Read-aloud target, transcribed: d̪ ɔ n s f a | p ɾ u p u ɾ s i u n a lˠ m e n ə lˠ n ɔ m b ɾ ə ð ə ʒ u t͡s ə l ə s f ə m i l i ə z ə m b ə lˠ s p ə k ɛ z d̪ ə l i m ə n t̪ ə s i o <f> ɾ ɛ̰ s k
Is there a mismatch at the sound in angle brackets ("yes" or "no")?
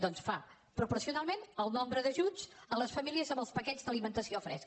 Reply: no